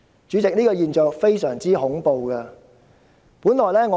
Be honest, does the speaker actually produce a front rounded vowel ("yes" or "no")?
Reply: yes